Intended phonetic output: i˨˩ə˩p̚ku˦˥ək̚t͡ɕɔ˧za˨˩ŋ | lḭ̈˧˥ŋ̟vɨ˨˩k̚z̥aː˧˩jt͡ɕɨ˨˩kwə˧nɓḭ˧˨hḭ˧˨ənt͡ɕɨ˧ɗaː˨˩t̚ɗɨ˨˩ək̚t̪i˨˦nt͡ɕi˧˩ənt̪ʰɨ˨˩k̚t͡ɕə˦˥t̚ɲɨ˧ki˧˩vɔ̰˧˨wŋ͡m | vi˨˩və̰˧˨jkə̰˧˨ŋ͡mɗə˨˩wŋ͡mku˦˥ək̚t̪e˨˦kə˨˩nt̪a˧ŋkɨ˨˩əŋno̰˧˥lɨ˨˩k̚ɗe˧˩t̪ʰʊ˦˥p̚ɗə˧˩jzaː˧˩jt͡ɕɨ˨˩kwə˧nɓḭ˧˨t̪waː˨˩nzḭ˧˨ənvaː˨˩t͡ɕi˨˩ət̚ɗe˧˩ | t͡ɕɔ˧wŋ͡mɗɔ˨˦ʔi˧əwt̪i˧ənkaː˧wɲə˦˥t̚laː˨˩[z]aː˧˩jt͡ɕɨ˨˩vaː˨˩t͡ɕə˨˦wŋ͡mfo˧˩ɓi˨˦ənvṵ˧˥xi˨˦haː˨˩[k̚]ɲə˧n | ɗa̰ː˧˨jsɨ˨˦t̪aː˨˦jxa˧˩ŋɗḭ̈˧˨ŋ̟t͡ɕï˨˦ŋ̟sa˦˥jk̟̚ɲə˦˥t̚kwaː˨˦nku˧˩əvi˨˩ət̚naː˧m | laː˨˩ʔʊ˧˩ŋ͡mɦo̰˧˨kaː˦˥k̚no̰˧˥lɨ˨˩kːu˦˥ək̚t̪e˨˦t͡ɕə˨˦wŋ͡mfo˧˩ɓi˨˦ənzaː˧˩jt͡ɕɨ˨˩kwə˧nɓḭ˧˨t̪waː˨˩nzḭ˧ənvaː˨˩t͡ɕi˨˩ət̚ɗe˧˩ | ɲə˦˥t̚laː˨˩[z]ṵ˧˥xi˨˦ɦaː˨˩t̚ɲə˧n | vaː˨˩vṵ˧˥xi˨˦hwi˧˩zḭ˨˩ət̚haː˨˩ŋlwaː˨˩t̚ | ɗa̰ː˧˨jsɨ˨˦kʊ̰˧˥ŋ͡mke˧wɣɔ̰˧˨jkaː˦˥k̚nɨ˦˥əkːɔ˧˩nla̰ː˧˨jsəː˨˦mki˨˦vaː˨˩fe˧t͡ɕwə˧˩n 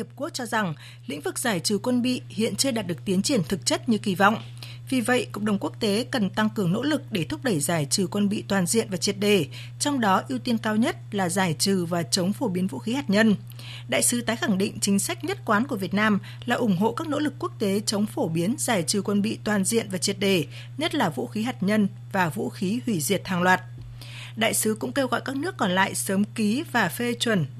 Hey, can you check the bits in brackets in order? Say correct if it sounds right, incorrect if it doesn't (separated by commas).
correct, incorrect, incorrect